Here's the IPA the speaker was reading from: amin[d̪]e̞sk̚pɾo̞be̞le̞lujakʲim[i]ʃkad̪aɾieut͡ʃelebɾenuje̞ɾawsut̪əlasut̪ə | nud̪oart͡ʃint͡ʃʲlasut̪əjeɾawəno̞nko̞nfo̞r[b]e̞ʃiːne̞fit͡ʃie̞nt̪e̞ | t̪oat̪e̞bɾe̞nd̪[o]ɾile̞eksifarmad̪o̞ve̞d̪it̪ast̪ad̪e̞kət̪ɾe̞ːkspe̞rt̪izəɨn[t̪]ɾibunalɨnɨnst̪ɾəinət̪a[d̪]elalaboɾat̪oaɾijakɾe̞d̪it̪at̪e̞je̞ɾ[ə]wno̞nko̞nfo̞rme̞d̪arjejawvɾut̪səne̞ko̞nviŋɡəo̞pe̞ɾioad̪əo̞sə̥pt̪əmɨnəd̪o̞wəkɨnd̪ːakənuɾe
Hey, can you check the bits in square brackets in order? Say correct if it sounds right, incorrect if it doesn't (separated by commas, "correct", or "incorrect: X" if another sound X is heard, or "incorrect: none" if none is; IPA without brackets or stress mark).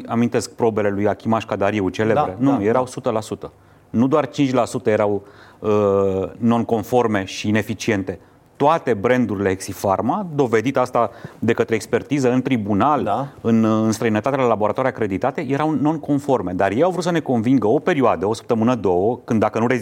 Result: incorrect: t̪, incorrect: a, incorrect: m, incorrect: u, correct, incorrect: t̪, incorrect: a